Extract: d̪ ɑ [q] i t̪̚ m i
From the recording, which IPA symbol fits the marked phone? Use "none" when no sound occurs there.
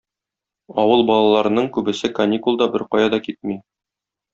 k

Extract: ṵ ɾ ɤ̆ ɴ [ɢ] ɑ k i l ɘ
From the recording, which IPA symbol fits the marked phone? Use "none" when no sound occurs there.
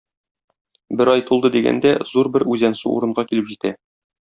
ɢ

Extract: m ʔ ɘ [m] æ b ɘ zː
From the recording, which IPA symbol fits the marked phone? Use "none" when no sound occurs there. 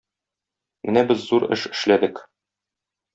n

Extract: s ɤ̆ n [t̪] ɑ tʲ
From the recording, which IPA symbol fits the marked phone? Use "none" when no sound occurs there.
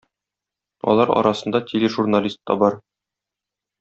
d̪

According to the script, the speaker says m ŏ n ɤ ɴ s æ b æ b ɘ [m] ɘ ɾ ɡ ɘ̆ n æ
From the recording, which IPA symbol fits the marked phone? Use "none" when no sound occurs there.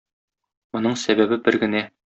b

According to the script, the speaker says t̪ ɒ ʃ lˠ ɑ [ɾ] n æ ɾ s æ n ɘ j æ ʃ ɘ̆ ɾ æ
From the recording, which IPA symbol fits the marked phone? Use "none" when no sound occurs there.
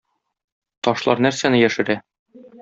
ɾ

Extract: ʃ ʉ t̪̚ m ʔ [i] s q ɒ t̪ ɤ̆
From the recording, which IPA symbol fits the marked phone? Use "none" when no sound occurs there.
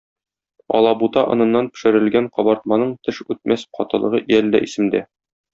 æ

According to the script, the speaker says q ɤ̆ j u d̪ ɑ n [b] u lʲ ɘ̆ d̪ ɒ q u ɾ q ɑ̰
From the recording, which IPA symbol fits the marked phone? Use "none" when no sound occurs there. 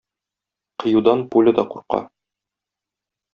p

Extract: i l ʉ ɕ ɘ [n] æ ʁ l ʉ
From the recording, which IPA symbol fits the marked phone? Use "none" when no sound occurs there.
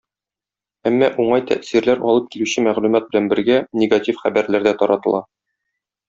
m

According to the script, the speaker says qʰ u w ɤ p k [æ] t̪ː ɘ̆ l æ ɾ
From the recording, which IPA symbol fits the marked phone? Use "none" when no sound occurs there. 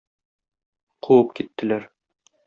i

